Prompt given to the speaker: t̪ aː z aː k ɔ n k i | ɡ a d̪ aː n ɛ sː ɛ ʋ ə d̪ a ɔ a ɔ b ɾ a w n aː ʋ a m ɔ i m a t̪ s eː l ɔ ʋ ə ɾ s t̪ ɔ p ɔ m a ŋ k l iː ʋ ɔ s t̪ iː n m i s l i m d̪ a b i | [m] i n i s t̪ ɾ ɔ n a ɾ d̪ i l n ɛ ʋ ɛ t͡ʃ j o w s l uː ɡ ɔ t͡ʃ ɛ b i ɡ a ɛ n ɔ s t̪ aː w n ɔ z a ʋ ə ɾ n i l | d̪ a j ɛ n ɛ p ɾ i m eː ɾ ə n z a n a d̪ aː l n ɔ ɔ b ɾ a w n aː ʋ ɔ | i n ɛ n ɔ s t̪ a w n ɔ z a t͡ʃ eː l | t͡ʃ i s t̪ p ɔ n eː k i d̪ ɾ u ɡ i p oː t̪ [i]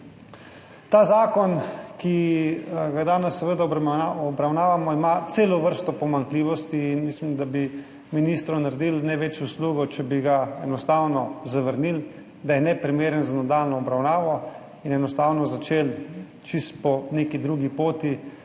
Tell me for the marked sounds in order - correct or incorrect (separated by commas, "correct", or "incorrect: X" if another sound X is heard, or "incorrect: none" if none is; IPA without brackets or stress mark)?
correct, correct